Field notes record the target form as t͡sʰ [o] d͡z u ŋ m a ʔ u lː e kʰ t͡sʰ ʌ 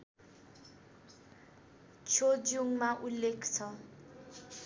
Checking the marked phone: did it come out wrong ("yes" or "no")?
no